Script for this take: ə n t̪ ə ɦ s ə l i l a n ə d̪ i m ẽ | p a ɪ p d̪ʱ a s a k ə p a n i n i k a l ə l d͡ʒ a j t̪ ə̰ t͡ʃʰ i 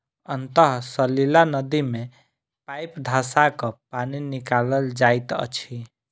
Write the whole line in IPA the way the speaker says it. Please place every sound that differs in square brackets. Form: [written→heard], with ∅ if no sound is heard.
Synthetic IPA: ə n t̪ ə ɦ s ə l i l a n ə d̪ i m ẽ | p a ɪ p d̪ʱ a s a k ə p a n i n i k a l ə l d͡ʒ a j t̪ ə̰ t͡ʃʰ i